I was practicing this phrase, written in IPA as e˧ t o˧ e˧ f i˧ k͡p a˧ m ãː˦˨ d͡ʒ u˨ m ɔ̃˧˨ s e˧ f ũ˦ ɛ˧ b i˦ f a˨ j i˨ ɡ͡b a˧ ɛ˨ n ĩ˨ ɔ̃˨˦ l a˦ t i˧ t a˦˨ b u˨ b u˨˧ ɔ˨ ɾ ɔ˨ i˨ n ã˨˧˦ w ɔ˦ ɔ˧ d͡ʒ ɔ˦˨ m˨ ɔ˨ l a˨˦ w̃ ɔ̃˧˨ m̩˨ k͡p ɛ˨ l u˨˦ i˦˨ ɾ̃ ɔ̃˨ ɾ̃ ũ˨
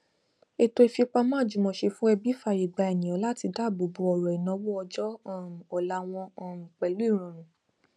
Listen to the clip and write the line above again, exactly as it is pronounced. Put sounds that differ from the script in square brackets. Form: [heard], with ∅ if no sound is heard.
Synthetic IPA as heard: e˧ t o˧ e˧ f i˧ k͡p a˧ m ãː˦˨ d͡ʒ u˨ m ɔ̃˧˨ [ʃ] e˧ f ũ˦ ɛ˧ b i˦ f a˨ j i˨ ɡ͡b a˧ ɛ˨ n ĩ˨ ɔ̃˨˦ l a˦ t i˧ [d] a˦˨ b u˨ b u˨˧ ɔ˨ ɾ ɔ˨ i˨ n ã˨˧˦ w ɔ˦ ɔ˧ d͡ʒ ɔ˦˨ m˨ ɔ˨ l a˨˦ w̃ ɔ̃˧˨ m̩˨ k͡p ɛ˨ l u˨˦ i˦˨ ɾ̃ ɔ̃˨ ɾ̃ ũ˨

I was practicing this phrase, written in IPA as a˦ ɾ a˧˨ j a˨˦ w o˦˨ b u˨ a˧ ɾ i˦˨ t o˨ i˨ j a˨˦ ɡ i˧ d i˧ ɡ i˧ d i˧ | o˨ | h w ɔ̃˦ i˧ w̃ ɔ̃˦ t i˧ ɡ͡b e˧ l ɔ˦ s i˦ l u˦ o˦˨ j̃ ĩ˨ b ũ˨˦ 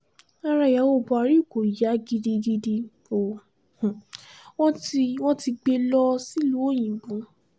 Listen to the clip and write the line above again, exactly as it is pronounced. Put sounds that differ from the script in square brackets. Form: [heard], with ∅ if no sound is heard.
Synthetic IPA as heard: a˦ ɾ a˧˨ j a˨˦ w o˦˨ b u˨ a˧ ɾ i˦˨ [k] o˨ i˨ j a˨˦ ɡ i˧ d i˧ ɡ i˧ d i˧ | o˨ | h w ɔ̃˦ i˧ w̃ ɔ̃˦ t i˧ ɡ͡b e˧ l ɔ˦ s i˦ l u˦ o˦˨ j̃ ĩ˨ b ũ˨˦

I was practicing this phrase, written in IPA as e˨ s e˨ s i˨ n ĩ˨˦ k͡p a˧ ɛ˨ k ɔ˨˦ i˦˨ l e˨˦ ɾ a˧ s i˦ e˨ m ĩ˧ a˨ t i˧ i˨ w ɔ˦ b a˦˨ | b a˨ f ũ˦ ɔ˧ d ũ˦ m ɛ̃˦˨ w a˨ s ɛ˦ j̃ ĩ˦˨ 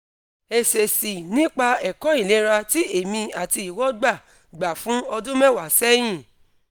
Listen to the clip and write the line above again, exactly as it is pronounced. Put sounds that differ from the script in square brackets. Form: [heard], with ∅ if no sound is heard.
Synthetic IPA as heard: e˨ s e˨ s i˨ n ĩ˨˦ k͡p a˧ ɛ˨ k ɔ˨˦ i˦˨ l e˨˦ ɾ a˧ [t] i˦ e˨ m ĩ˧ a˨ t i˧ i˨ w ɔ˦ [ɡ͡b] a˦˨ | [ɡ͡b] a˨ f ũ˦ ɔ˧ d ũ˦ m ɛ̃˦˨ w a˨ s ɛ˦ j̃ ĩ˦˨

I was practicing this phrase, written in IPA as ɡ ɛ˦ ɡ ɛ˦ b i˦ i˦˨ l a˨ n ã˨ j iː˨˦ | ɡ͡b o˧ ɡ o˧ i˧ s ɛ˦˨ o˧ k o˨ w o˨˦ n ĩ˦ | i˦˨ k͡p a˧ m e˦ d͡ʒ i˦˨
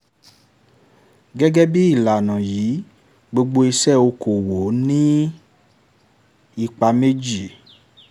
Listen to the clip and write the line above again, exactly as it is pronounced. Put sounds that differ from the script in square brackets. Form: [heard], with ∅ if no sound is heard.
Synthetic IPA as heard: ɡ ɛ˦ ɡ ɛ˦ b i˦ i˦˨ l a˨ n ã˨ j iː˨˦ | ɡ͡b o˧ [ɡ͡b] o˧ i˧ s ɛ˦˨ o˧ k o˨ w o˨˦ n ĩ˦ | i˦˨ k͡p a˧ m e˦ d͡ʒ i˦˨

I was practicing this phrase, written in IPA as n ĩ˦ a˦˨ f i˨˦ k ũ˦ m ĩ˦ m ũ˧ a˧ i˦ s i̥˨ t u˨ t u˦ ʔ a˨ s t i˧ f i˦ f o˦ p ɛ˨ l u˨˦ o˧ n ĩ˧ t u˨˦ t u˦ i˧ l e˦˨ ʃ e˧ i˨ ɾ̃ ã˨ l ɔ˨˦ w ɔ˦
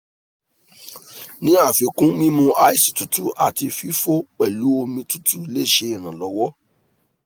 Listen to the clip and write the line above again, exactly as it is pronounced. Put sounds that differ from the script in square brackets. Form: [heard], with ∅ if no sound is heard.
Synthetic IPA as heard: n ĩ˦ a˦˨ f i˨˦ k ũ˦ m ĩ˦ m ũ˧ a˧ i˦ s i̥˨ t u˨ t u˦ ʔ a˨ [∅] t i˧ f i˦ f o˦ [k͡p] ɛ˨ l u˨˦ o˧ [m] ĩ˧ t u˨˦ t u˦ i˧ l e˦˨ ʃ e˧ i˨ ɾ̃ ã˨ l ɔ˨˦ w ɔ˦

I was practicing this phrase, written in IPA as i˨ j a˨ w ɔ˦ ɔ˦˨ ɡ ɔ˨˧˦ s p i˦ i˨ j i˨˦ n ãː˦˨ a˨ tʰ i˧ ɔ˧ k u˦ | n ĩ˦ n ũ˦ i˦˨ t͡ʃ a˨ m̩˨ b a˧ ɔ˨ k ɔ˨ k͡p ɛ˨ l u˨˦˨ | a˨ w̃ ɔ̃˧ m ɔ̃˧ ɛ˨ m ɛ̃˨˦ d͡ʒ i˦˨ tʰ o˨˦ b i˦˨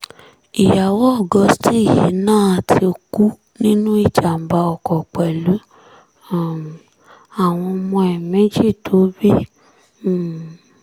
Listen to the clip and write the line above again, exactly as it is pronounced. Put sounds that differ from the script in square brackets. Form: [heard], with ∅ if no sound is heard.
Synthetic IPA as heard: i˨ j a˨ w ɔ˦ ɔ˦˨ ɡ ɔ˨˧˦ s [t] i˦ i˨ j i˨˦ n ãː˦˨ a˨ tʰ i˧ [o˧] k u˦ | n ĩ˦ n ũ˦ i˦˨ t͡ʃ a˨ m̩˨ b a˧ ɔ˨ k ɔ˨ k͡p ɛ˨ l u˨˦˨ | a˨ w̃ ɔ̃˧ m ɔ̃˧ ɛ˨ m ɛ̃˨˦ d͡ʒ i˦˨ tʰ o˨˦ b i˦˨

